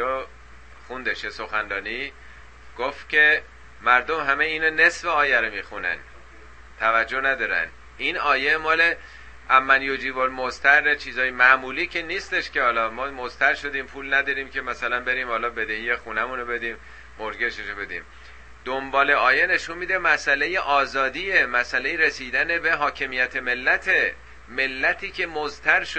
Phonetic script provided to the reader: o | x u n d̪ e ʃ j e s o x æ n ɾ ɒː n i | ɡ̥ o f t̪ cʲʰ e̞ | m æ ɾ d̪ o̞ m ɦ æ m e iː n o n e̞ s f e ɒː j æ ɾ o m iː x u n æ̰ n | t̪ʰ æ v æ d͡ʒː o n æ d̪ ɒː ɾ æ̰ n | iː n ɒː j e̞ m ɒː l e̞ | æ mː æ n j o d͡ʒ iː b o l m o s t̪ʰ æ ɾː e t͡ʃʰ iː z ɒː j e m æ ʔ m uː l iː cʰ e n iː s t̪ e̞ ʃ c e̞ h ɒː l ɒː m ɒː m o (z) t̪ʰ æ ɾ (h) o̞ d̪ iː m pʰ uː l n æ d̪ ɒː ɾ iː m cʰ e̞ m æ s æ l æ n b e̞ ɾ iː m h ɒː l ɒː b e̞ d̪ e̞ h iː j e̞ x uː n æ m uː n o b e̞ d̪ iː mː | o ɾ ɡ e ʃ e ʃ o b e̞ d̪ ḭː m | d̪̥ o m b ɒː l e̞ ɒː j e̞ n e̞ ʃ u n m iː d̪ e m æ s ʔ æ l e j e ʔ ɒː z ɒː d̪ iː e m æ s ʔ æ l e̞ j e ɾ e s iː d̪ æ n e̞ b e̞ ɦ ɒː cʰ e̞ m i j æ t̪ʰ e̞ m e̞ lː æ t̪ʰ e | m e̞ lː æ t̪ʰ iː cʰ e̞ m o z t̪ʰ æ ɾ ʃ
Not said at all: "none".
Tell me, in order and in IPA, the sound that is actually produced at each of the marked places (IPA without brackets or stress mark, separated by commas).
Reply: z, ʃ